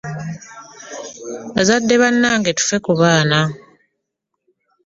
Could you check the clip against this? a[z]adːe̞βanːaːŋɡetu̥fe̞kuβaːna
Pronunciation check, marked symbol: correct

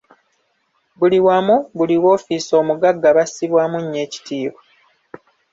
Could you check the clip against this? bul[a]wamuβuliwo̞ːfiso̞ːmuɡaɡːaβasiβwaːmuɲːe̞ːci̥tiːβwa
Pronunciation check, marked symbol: incorrect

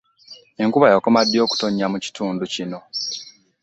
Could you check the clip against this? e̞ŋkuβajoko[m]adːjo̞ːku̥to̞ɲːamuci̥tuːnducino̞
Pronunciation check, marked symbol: correct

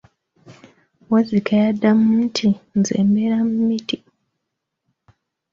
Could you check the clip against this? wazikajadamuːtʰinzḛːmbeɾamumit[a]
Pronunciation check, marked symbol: incorrect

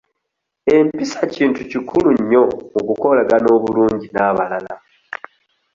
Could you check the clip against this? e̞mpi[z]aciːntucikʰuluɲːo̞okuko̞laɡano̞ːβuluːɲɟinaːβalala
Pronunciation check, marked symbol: incorrect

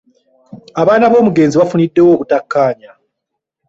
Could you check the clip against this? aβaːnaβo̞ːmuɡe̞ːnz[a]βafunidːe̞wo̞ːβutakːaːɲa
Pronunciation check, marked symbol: incorrect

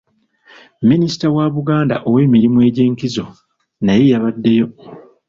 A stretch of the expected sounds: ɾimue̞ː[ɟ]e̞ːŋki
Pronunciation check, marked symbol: correct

